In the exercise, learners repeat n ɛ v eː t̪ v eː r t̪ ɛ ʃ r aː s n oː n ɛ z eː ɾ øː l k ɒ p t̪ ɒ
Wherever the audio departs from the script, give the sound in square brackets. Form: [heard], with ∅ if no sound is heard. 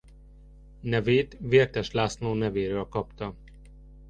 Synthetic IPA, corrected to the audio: n ɛ v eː t̪ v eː r t̪ ɛ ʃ [l] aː s n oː n ɛ [v] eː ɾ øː l k ɒ p t̪ ɒ

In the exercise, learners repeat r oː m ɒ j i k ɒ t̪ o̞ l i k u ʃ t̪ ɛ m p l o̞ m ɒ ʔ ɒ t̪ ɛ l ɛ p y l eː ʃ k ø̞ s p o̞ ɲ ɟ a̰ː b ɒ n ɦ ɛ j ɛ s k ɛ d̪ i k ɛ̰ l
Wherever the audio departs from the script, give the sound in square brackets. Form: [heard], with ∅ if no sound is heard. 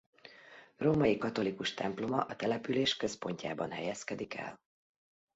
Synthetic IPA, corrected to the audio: r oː m ɒ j i k ɒ t̪ o̞ l i k u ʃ t̪ ɛ m p l o̞ m ɒ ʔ ɒ t̪ ɛ l ɛ p y l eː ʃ k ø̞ s p o̞ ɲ [c] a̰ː b ɒ n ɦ ɛ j ɛ s k ɛ d̪ i k ɛ̰ l

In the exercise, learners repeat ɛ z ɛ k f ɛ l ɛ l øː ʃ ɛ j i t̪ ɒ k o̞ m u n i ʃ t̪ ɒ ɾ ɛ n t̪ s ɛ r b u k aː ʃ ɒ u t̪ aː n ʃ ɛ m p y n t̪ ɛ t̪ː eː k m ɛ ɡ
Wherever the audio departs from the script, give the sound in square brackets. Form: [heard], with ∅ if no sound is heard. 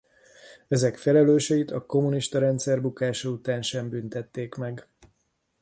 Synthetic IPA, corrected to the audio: ɛ z ɛ k f ɛ l ɛ l øː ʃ ɛ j i t̪ ɒ k o̞ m u n i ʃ t̪ ɒ ɾ ɛ n t̪ s ɛ r b u k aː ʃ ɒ u t̪ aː n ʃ ɛ m [b] y n t̪ ɛ t̪ː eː k m ɛ ɡ

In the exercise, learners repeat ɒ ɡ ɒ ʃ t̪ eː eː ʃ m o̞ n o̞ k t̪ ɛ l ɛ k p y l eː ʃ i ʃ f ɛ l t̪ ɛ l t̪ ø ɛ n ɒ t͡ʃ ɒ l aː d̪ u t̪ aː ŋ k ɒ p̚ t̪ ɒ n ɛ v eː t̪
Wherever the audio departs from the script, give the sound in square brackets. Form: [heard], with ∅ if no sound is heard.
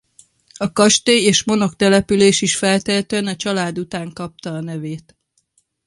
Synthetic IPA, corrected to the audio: ɒ [k] ɒ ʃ t̪ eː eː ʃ m o̞ n o̞ k t̪ ɛ l ɛ [∅] p y l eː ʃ i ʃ f ɛ l t̪ ɛ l t̪ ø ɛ n ɒ t͡ʃ ɒ l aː d̪ u t̪ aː ŋ k ɒ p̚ t̪ [ɒː] n ɛ v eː t̪

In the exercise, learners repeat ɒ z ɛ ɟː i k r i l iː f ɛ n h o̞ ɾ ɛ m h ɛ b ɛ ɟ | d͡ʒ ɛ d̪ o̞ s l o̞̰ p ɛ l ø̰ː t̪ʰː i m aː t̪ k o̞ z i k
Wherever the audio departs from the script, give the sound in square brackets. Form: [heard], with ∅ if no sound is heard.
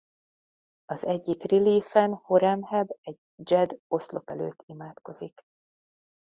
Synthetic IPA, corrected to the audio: ɒ z ɛ ɟː i k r i l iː f ɛ n h o̞ ɾ ɛ m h ɛ b ɛ ɟ | d͡ʒ ɛ d̪ o̞ s l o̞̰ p ɛ l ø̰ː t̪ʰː i m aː t̪ k o̞ z i k

